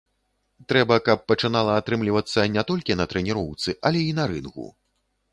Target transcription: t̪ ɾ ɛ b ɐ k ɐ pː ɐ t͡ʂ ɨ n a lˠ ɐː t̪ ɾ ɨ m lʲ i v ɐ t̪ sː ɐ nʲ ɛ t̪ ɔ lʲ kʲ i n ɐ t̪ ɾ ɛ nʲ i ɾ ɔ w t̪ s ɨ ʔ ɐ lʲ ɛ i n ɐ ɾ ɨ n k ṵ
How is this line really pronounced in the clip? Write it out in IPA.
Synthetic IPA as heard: t̪ ɾ ɛ b ɐ k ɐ pː ɐ t͡ʂ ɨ n a lˠ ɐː t̪ ɾ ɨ m lʲ i v ɐ t̪ sː ɐ nʲ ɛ t̪ ɔ lʲ kʲ i n ɐ t̪ ɾ ɛ nʲ i ɾ ɔ w t̪ s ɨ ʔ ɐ lʲ ɛ i n ɐ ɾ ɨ n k ṵ